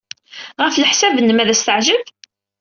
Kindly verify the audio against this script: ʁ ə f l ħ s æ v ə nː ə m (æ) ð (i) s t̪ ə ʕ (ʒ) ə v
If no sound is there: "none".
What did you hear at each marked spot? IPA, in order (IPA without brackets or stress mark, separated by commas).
æ, æ, ʒ